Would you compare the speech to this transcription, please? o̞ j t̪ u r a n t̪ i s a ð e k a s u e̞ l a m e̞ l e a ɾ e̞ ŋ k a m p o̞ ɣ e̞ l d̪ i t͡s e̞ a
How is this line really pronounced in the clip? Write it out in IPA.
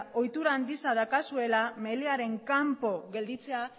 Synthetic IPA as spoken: o̞ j t̪ u ɾ a n d̪ i s a ð a k a s u e̞ l a m e̞ l e a ɾ e̞ ŋ k a m p o̞ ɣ e̞ l d̪ i t͡s e̞ a

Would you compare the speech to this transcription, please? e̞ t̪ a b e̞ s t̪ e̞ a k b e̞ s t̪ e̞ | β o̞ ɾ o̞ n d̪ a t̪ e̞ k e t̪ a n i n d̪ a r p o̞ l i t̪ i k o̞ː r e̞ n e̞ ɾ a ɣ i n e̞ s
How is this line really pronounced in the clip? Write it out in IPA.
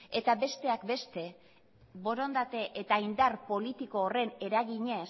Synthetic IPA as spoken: e̞ t̪ a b e̞ s t̪ e̞ a k b e̞ s t̪ e̞ | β o̞ ɾ o̞ n d̪ a t̪ e̞ ʔ e t̪ a i n d̪ a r p o̞ l i t̪ i k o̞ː r e̞ n e̞ ɾ a ɣ i ɲ e̞ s

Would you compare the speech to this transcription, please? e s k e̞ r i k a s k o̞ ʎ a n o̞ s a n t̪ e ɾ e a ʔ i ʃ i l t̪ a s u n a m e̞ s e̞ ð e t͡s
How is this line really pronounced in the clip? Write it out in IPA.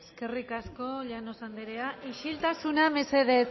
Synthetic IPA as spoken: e s k e̞ r i k a s k o̞ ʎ a n o̞ s a n d̪ e ɾ e a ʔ i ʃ i l t̪ a s u n a m e̞ s e̞ ð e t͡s

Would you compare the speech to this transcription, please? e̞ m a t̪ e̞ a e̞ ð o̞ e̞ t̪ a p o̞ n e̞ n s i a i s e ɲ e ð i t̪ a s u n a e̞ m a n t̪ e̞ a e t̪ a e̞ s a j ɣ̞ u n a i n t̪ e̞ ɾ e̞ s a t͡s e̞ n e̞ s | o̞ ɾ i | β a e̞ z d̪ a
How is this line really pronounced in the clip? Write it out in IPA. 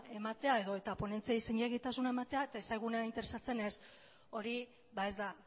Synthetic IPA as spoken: e̞ m a t̪ e̞ a e̞ ð o̞ e̞ t̪ a p o̞ n e̞ n t͡s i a i s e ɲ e ɣ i t̪ a s u n a e̞ m a t̪ e̞ a e t̪ a e̞ s a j ɣ̞ u n a i n t̪ e̞ ɾ e̞ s a t͡s e̞ n e̞ s | o̞ ɾ i | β a e̞ z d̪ a

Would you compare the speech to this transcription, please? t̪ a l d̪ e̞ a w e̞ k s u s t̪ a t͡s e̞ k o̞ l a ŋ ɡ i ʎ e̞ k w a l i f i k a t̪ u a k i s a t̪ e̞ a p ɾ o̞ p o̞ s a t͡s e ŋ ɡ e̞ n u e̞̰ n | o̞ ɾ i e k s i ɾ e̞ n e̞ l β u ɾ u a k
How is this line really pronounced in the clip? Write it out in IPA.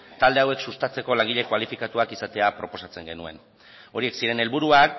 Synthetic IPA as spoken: t̪ a l d̪ e̞ a w e̞ k s u s t̪ a t͡s e̞ k o̞ l a ŋ ɡ i ʎ e̞ k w a l i f i k a t̪ u a k i s a t̪ e̞ a p ɾ o̞ p o̞ s a t͡s e ŋ ɡ e̞ n u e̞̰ n | o̞ ɾ i e k s i ɾ e̞ n e̞ l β u ɾ u a k

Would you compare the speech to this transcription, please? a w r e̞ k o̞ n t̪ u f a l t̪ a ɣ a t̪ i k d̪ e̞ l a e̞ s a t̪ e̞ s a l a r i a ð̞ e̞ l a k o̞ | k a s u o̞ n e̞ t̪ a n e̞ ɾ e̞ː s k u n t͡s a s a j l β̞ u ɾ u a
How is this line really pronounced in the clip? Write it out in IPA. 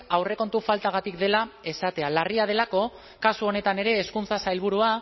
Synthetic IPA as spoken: a w r e̞ k o̞ n t̪ u f a l t̪ a ɣ a t̪ i k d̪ e̞ l a e̞ s a t̪ e̞ a l a r i a ð̞ e̞ l a k o̞ | k a s u o̞ n e̞ t̪ a n e̞ ɾ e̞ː s k u n t͡s a s a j l β̞ u ɾ u a

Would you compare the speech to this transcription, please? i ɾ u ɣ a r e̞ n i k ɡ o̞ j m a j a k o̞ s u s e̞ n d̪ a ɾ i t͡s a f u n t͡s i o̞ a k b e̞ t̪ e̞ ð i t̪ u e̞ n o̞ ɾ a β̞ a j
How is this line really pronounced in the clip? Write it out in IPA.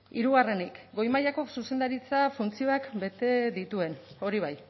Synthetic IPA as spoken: i ɾ u ɣ a r e̞ n i k ɡ o̞ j m a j a k o̞ s u s e̞ n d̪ a ɾ i t͡s a f u n t͡s i o̞ a k b e̞ t̪ e̞ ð i t̪ u e̞ n o̞ ɾ i β̞ a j

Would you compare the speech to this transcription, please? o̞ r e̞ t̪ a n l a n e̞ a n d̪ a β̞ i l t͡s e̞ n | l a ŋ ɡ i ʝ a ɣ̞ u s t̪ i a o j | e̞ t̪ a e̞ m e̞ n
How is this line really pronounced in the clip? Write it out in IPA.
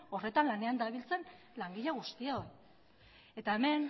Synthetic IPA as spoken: o̞ r e̞ t̪ a n l a n e̞ a n d̪ a β̞ i l t͡s e̞ n | l a ŋ ɡ i ʎ a ɣ̞ u s t̪ i a o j | e̞ t̪ a e̞ m e̞ n

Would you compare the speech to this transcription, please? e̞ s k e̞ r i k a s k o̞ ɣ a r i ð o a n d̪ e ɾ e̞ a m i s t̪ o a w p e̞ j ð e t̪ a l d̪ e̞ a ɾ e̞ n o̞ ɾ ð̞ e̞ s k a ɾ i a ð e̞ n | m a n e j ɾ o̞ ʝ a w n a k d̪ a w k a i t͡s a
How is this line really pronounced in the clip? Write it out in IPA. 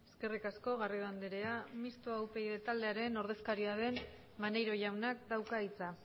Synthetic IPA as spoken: e̞ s k e̞ r i k a s k o̞ ɣ a r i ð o a n d̪ e ɾ e̞ a m i s t̪ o a w p e̞ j ð e t̪ a l d̪ e̞ a ɾ e̞ n o̞ ɾ ð̞ e̞ s k a ɾ i a ð e̞ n | m a n e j ɾ o̞ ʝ a w n a k d̪ a w k a i t͡s a

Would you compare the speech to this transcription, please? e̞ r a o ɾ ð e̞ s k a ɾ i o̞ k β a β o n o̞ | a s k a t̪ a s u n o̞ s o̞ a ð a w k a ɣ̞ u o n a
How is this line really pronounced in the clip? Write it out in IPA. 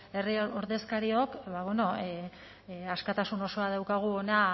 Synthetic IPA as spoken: e̞ r i o ɾ ð e̞ s k a ɾ i o̞ k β a β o n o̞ | a s k a t̪ a s u n o̞ s o̞ a ð a w k a ɣ̞ u o n a

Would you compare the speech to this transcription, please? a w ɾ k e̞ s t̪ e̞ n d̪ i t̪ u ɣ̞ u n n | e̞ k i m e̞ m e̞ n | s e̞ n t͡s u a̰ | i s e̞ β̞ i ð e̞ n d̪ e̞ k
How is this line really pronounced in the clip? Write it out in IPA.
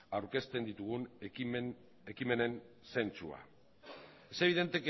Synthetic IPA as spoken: a w ɾ k e̞ s t̪ e̞ n d̪ i t̪ u ɣ̞ u n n | e̞ k i m e̞ n e̞ n | s e̞ n t͡s u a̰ | e s e̞ β̞ i ð e̞ n t̪ e̞ k

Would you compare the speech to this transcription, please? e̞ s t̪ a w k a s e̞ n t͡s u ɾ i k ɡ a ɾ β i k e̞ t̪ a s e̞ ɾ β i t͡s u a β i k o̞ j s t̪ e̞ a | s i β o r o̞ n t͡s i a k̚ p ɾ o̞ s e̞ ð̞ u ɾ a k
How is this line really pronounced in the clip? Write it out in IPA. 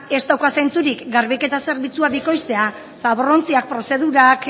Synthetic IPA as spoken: e̞ s t̪ a w k a s e̞ n t͡s u ɾ i k ɡ a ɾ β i k e̞ t̪ a s e̞ ɾ β i t͡s u a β i k o̞ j s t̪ e̞ a | s a β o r o̞ n t͡s i a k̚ p ɾ o̞ s e̞ ð̞ u ɾ a k

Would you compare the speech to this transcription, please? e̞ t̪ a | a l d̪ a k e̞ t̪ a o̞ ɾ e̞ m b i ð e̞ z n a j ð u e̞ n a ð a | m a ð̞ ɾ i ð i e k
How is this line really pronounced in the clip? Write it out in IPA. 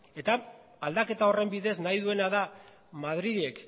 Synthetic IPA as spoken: e̞ t̪ a | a l d̪ a k e̞ t̪ a o̞ r e̞ m b i ð e̞ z n a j ð u e̞ n a ð a | m a ð̞ ɾ i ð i e k

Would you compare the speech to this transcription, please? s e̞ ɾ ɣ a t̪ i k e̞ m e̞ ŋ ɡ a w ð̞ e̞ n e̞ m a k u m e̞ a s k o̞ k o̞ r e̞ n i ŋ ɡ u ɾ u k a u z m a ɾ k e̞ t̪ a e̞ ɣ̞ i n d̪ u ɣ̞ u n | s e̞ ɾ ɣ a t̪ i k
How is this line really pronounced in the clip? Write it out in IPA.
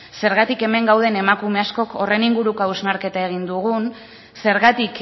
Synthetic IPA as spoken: s e̞ ɾ ɣ a t̪ i k e̞ m e̞ ŋ ɡ a w ð̞ e̞ n e̞ m a k u m e̞ a s k o̞ k o̞ r e̞ n i ŋ ɡ u ɾ u k a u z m a ɾ k e̞ t̪ a e̞ ɣ̞ i n d̪ u ɣ̞ u n | s e̞ ɾ ɣ a t̪ i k

